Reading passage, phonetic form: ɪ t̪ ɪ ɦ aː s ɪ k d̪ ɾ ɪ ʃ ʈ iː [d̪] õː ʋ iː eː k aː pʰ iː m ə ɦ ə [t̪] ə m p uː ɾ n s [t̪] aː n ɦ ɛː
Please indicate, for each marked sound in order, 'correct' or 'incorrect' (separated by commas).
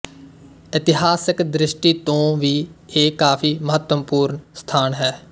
incorrect, correct, incorrect